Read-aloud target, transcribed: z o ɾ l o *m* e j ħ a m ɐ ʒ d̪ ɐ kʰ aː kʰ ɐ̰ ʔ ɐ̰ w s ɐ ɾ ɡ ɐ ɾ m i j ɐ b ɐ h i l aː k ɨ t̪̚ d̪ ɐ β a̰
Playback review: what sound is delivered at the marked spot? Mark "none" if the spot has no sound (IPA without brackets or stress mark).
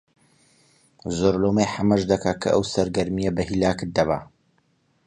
m